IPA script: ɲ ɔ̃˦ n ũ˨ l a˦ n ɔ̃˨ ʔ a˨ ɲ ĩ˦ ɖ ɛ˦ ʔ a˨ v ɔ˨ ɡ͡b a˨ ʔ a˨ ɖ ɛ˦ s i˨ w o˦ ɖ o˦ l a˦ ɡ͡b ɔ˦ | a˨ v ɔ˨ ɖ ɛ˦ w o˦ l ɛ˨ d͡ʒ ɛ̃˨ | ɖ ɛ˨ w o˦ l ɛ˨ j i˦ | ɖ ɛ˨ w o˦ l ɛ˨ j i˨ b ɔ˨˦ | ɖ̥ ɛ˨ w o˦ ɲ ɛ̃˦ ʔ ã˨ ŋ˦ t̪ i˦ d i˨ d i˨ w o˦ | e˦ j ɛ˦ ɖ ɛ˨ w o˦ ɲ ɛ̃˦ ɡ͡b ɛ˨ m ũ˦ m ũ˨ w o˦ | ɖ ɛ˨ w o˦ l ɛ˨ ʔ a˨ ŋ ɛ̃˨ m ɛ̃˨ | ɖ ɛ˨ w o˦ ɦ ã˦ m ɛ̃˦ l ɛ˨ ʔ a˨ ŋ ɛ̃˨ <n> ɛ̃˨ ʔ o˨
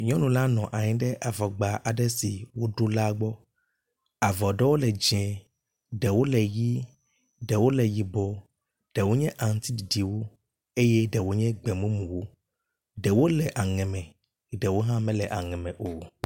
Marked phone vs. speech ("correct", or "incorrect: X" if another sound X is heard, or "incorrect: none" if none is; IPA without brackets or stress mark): incorrect: m